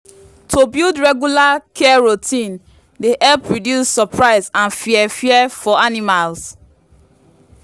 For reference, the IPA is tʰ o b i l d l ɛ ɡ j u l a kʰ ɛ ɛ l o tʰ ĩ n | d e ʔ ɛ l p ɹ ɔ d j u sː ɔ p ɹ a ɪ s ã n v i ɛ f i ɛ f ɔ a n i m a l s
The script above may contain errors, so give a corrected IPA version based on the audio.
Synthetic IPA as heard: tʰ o b i l d ɹ ɛ ɡ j u l a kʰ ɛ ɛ ɹ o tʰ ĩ n | d e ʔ ɛ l p ɹ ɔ d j u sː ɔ p ɹ a ɪ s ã n f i ɛ f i ɛ f ɔ a n i m a l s

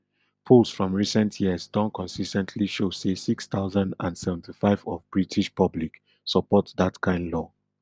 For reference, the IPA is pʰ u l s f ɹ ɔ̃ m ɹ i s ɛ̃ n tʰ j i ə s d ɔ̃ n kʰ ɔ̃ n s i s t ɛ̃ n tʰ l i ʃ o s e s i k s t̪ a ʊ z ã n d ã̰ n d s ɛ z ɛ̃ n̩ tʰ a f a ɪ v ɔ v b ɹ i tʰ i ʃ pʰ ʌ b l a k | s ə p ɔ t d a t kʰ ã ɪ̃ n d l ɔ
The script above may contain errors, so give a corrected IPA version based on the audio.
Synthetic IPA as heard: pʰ u l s f ɹ ɔ̃ m ɹ i s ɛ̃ n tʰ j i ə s d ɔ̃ n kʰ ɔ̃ n s i s t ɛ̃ n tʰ l i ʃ o s e s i k s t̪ a ʊ z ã n d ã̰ n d s ɛ v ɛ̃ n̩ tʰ i f a ɪ v ɔ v b ɹ i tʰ i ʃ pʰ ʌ b l i k | s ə p ɔ t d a t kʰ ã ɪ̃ n d l ɔ

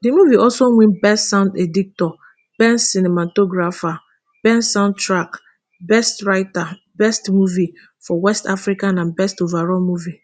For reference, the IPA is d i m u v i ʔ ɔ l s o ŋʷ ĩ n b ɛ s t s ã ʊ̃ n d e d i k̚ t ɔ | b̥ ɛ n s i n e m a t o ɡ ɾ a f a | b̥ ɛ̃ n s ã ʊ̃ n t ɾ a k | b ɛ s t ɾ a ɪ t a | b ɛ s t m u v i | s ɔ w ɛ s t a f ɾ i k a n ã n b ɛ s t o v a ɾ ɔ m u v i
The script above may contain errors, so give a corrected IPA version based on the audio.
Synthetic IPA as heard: d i m u v i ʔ ɔ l s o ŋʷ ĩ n b ɛ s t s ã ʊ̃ n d e d i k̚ t ɔ | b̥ ɛ n s i n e m a t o ɡ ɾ a f a | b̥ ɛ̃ n s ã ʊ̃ n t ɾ a k | b ɛ s t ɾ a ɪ t a | b ɛ s t m u v i | f ɔ w ɛ s t a f ɾ i k a n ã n b ɛ s t o v a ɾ ɔ m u v i

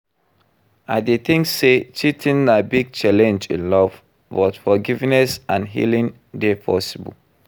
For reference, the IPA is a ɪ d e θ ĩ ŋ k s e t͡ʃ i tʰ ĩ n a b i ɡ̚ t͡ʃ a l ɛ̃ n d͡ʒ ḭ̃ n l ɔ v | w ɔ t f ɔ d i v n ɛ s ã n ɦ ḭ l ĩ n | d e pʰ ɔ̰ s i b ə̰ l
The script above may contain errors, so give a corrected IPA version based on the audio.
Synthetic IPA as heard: a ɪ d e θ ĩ ŋ k s e t͡ʃ i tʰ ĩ n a b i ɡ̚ t͡ʃ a l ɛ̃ n d͡ʒ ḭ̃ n l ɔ v | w ɔ t f ɔ ɡ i v n ɛ s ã n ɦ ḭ l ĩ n | d e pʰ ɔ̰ s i b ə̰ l

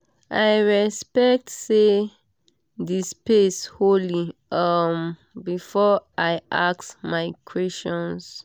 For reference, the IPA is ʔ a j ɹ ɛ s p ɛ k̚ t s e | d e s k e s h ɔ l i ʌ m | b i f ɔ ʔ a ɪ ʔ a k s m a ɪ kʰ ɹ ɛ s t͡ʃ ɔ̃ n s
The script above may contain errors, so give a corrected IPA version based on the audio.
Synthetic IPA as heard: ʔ a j ɹ ɛ s p ɛ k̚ t s e | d i s p e s h o l i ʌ m | b i f ɔ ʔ a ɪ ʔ a k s m a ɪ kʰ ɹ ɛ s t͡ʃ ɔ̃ n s

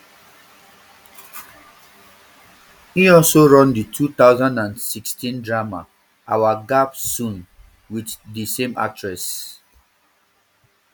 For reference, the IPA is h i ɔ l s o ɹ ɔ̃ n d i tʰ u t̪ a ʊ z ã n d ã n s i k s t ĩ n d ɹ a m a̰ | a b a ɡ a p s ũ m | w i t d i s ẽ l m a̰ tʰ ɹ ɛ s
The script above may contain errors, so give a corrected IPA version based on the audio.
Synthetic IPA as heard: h i ɔ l s o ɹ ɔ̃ n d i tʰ u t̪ a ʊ z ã n d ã n s i k s t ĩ n d ɹ a m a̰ | a w a ɡ a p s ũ n | w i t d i s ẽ m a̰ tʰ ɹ ɛ s

